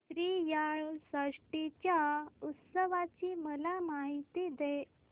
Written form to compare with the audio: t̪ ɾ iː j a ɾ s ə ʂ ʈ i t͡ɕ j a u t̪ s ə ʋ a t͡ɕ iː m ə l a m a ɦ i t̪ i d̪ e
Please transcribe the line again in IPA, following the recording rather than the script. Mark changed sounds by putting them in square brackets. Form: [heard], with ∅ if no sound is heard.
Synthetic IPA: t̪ ɾ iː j a [ɭ] s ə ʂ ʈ i t͡ɕ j a u t̪ s ə ʋ a t͡ɕ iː m ə l a m a ɦ i t̪ i d̪ e